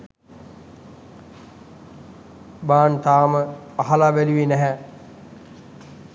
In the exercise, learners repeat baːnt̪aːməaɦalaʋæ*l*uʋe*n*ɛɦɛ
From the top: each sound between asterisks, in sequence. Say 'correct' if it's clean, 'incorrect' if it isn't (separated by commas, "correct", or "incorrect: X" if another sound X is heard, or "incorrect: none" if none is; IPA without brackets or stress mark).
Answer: correct, correct